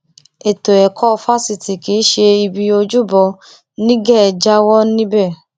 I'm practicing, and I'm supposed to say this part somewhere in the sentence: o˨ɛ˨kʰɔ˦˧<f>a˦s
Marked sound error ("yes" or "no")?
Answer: no